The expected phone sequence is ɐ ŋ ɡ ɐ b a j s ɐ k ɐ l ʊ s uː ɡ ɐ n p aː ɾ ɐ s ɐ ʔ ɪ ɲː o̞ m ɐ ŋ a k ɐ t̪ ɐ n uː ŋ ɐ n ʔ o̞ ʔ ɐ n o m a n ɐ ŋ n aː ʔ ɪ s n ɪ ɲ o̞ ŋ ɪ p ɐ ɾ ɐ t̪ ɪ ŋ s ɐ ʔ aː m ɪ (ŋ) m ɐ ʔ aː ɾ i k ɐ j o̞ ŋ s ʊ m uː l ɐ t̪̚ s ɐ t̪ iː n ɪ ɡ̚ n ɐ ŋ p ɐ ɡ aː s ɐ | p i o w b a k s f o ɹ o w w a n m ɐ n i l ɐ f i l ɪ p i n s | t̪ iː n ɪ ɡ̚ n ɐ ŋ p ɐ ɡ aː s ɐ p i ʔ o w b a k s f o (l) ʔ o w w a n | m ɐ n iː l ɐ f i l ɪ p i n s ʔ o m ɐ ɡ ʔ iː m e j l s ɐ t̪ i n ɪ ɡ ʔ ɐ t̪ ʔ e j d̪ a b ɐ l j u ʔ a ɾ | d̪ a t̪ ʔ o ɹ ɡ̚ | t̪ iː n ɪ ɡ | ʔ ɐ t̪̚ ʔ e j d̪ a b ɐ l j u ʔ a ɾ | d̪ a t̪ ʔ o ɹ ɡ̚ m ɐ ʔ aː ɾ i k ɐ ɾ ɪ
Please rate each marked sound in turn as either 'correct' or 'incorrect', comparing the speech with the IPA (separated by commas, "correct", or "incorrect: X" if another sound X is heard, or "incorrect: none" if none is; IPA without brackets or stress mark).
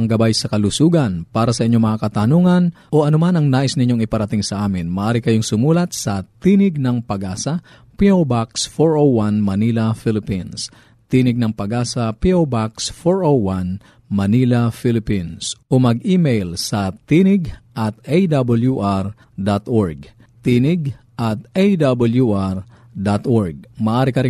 incorrect: n, incorrect: ɹ